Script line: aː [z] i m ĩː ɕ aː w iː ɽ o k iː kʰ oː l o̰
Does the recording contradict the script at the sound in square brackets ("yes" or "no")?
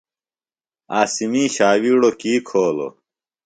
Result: yes